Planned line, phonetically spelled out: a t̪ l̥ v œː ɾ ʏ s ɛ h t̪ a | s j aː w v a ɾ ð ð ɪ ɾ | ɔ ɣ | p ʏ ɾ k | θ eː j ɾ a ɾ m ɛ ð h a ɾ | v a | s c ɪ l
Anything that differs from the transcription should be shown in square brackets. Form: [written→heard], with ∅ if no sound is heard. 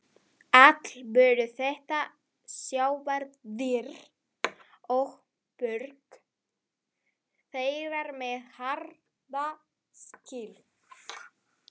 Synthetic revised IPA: a t̪ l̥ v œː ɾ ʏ [s→θ] ɛ h t̪ a | s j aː w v a ɾ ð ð ɪ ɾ | ɔ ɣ | p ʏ ɾ k | θ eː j ɾ a ɾ m ɛ ð h a ɾ | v a | s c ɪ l